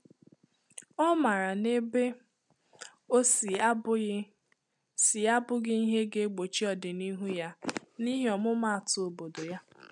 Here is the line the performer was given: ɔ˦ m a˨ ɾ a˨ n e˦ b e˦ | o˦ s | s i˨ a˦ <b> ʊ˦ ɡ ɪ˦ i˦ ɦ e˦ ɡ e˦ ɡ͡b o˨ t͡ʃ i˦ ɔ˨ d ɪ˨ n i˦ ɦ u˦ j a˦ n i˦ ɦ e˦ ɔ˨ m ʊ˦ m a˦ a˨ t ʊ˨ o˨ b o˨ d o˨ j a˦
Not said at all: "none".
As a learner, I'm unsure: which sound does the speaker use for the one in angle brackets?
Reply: b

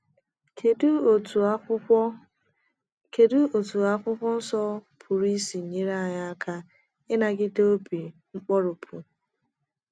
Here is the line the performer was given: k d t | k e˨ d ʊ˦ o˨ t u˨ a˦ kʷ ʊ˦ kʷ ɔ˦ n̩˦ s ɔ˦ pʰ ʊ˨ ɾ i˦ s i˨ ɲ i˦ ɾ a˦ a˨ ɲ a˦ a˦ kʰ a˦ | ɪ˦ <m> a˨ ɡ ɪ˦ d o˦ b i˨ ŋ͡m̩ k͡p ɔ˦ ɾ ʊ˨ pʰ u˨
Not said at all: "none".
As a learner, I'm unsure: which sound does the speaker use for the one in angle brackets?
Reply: n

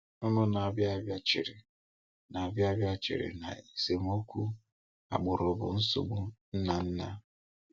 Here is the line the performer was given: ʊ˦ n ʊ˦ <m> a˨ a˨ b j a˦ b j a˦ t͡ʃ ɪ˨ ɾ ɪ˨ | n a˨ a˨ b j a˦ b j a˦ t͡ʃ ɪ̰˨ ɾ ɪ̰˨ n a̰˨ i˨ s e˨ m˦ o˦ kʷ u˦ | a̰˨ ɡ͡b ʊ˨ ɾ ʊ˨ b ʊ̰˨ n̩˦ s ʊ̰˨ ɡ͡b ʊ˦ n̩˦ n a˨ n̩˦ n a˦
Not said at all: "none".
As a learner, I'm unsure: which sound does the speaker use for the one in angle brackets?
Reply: n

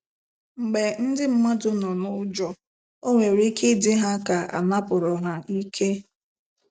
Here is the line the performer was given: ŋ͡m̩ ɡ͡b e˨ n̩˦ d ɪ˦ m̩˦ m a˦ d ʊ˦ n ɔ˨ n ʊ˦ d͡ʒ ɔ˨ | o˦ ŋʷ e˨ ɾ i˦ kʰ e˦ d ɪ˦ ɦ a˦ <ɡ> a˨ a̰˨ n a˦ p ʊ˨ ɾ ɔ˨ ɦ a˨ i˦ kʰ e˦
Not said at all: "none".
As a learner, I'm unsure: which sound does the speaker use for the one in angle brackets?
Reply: k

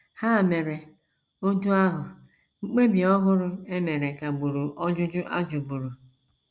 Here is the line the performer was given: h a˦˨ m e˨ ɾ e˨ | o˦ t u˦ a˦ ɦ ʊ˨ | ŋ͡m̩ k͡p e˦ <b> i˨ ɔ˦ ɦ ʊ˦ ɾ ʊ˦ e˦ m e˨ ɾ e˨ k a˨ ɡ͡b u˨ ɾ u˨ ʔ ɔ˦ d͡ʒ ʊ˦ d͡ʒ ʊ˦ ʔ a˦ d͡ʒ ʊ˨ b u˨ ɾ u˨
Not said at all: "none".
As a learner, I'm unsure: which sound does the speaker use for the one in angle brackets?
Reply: b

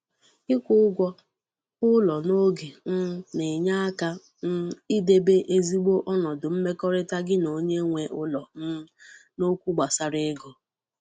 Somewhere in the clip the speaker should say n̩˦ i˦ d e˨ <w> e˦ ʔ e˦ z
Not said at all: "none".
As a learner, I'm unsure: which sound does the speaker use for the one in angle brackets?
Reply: b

